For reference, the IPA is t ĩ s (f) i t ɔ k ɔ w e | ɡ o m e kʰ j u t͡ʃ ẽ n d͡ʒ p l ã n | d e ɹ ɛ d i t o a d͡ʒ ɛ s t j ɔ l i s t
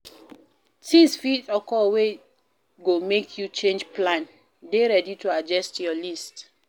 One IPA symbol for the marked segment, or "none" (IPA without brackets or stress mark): f